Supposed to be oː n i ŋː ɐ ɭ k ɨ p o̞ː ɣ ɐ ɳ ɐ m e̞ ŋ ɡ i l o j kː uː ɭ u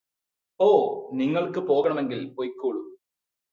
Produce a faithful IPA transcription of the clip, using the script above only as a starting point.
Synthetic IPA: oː n i ŋː ɐ ɭ k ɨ p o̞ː ɣ ɐ ɳ ɐ m e̞ ŋ ɡ i l o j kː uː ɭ u